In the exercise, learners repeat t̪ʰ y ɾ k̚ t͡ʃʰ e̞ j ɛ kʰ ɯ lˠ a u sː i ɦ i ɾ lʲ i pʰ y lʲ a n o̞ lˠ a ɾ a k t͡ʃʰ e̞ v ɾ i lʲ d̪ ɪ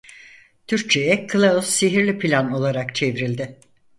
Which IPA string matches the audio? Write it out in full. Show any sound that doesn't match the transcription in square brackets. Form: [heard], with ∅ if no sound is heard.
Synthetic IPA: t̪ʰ y ɾ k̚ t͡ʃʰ e̞ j ɛ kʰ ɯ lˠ a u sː i ɦ i ɾ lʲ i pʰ [i] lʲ a n o̞ lˠ a ɾ a k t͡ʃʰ e̞ v ɾ i lʲ d̪ ɪ